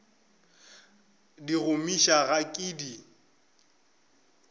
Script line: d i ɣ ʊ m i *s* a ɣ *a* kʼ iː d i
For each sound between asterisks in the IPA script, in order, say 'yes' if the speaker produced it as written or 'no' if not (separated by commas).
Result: no, yes